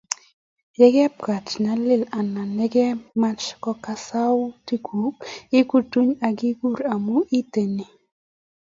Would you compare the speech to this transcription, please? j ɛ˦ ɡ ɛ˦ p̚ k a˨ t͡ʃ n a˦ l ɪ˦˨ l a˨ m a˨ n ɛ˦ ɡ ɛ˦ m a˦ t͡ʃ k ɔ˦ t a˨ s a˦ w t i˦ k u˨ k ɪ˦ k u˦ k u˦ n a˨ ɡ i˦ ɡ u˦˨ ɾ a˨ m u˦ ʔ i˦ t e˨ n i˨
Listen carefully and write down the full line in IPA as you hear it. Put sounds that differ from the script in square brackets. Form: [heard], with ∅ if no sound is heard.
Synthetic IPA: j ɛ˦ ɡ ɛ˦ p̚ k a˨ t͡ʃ n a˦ l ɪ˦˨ l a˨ [n] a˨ n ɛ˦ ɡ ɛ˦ m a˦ t͡ʃ k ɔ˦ [k] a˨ s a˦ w t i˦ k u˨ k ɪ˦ k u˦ [t] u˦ [ɲ] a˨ ɡ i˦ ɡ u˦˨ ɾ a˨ m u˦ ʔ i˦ t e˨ n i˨